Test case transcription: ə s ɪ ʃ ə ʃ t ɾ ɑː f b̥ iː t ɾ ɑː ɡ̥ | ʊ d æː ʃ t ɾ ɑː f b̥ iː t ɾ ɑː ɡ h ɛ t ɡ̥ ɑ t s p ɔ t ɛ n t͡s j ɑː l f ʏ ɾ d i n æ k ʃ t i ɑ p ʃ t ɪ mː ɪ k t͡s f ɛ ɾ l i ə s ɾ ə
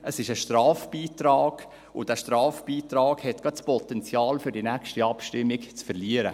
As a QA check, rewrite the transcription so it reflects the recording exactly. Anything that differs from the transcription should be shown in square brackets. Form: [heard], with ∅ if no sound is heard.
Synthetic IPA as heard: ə s ɪ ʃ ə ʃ t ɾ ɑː f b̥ iː t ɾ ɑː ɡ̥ | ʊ d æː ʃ t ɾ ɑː f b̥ iː t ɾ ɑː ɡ h ɛ t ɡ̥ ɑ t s p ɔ t ɛ n t͡s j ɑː l f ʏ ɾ d i n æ k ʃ t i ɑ p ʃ t ɪ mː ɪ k t͡s f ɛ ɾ l i ə [∅] ɾ ə